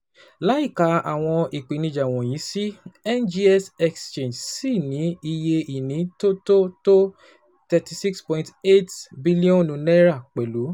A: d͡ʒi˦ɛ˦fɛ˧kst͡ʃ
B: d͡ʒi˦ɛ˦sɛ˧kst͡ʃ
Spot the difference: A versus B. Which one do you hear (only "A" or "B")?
B